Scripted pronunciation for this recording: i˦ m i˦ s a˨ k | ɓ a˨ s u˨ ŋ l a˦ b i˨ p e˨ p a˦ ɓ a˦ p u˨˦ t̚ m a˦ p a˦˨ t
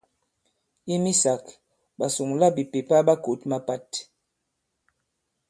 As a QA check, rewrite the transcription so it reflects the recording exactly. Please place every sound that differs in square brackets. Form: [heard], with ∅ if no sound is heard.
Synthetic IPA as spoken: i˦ m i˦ s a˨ k | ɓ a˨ s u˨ ŋ l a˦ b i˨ p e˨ p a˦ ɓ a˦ [k] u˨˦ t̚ m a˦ p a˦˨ t

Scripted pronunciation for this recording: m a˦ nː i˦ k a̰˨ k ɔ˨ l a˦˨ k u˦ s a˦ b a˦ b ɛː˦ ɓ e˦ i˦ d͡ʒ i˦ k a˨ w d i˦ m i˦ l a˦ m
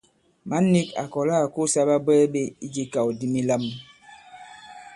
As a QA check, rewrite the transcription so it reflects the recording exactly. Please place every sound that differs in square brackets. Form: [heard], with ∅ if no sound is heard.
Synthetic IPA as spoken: m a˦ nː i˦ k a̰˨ k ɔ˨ l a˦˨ k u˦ s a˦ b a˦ b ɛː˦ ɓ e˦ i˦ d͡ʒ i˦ k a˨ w d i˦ m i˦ l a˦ m

